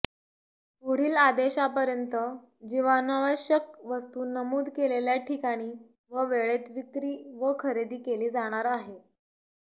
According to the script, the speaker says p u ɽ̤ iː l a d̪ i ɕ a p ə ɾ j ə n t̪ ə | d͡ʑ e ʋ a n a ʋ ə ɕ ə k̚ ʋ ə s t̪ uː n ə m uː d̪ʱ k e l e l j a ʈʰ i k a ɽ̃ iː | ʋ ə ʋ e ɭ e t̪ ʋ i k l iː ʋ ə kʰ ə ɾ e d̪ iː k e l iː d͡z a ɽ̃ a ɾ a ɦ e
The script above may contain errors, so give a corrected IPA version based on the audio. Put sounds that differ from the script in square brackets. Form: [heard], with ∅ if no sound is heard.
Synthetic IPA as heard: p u ɽ̤ iː l a d̪ [e] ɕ a p ə ɾ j ə n t̪ ə | d͡ʑ [i] ʋ a n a ʋ ə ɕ ə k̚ ʋ ə s t̪ uː n ə m uː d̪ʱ k e l e l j a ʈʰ i k a ɽ̃ iː | ʋ ə ʋ e ɭ e t̪ ʋ i k [ɾ] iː ʋ ə kʰ ə ɾ e d̪ iː k e l iː d͡z a ɽ̃ a ɾ a ɦ e